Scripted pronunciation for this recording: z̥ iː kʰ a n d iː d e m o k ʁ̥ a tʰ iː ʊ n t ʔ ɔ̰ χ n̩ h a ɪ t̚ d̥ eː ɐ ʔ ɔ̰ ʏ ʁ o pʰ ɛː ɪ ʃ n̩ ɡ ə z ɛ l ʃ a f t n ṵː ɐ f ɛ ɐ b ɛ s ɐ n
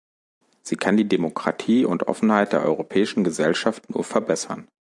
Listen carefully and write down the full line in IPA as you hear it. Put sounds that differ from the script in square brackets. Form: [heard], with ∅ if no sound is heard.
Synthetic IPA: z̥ iː kʰ a n d iː d e m o k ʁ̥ a tʰ iː ʊ n t ʔ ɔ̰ [f] n̩ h a ɪ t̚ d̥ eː ɐ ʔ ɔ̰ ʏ ʁ o pʰ ɛː ɪ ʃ n̩ ɡ ə z ɛ l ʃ a f t n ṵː ɐ f ɛ ɐ b ɛ s ɐ n